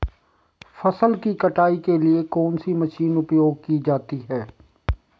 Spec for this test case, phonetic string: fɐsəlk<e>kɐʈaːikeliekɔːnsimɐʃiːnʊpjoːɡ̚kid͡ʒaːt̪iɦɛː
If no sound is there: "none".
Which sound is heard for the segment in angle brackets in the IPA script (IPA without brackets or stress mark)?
i